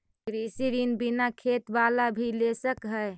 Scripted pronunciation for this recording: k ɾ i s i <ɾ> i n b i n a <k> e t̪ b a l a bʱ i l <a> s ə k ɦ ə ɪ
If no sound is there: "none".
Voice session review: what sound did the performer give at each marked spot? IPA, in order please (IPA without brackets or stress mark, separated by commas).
ɾ, kʰ, e